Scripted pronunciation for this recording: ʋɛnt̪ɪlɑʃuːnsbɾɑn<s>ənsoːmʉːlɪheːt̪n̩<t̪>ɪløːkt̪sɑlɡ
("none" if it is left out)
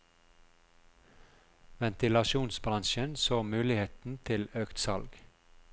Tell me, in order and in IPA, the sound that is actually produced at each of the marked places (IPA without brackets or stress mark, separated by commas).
ʃ, t̪ʰ